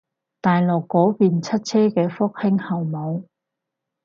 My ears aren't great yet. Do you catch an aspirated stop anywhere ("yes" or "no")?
yes